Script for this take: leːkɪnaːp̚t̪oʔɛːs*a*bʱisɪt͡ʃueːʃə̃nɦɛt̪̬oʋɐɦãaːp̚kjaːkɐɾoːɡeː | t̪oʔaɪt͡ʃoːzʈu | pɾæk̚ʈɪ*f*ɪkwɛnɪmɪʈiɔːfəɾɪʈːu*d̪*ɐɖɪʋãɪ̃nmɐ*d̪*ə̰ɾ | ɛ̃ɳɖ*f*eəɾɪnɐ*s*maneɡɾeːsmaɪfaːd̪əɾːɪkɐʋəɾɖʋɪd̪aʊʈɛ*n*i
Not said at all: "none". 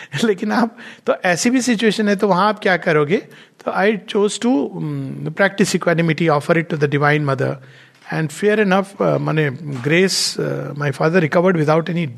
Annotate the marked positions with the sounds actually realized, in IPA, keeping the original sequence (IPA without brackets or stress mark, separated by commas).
i, s, d̪, d̪, f, f, n